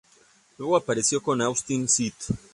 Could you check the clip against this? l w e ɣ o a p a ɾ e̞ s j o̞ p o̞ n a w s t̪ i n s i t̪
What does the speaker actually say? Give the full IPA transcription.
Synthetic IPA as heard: l w e ɣ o a p a ɾ e̞ s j o̞ k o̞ n a w s t̪ i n s i t̪